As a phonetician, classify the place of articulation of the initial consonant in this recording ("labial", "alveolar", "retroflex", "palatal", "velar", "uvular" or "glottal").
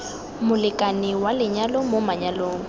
labial